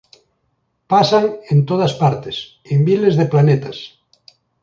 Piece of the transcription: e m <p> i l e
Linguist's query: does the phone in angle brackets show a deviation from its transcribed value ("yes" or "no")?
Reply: yes